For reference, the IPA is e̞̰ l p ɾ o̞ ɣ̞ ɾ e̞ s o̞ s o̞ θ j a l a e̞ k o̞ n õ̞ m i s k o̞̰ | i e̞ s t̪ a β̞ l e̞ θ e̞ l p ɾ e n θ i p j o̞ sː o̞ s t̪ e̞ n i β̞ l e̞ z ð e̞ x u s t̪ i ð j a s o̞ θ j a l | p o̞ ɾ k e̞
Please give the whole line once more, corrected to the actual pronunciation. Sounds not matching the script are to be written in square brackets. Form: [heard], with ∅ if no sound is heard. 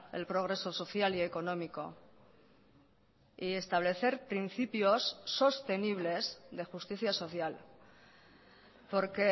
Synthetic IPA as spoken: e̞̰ l p ɾ o̞ ɣ̞ ɾ e̞ s o̞ s o̞ θ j a l [i] e̞ k o̞ n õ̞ m i [∅] k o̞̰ | i e̞ s t̪ a β̞ l e̞ θ e̞ [ɾ] p ɾ [i] n θ i p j o̞ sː o̞ s t̪ e̞ n i β̞ l e̞ z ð e̞ x u s t̪ i [θ] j a s o̞ θ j a l | p o̞ ɾ k e̞